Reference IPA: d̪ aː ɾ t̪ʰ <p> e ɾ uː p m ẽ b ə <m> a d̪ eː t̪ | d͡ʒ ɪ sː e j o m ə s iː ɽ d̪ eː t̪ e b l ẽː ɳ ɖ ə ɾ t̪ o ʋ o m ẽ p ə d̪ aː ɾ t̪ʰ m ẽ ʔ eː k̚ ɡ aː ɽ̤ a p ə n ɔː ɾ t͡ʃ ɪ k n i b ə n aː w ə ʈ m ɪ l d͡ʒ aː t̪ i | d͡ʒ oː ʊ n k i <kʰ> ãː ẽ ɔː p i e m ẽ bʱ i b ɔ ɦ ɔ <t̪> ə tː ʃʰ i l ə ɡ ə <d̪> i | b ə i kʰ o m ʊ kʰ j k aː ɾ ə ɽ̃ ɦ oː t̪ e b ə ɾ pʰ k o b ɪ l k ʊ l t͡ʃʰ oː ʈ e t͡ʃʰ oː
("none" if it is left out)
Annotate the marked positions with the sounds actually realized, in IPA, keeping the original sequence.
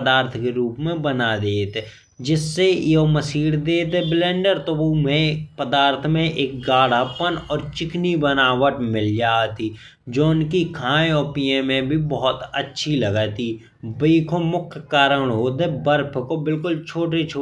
k, n, kʰ, t̪, t̪

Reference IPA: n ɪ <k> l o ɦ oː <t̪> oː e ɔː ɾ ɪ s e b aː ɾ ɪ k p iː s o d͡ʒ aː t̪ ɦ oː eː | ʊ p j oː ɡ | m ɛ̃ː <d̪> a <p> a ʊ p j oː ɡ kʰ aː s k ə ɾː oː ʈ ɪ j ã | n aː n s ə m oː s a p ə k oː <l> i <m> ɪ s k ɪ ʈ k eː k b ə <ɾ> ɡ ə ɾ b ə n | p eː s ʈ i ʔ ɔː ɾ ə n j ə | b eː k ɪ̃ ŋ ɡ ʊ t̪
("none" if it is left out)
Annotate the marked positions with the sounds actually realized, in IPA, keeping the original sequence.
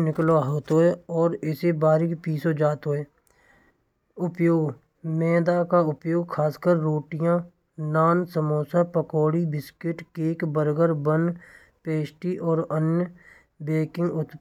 k, t̪, d̪, k, ɽ, b, ɾ

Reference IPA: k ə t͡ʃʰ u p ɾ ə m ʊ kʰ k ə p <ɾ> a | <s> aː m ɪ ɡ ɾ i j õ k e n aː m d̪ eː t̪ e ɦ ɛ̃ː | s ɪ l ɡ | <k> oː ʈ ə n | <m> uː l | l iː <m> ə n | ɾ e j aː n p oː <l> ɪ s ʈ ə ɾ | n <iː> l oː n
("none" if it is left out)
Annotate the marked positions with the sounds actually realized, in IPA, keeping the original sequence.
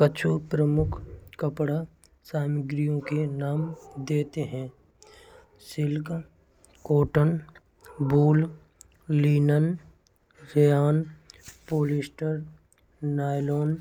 ɽ, s, k, b, n, l, aː

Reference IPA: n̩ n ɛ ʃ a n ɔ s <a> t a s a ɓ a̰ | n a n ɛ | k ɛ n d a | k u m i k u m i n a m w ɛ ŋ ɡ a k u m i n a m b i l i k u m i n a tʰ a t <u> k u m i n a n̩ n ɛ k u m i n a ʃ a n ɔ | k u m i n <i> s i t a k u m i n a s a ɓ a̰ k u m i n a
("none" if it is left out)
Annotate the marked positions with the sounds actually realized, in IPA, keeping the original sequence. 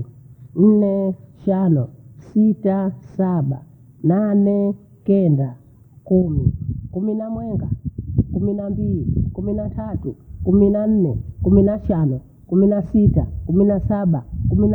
i, u, a

